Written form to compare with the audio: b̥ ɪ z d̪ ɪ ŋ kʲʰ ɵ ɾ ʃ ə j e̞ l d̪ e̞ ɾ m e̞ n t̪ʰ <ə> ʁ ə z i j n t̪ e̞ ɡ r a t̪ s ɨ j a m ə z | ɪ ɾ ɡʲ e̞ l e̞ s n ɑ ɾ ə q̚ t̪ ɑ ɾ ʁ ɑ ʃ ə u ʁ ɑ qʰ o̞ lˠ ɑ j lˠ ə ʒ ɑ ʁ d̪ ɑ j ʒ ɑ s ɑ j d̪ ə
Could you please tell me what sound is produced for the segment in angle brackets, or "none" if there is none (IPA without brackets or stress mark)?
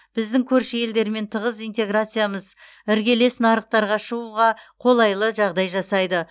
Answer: ə